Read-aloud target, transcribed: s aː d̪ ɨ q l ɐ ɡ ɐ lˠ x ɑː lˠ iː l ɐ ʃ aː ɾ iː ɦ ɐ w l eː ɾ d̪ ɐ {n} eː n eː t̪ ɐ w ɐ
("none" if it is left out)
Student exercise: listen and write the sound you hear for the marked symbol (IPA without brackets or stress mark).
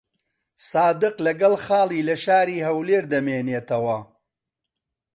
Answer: m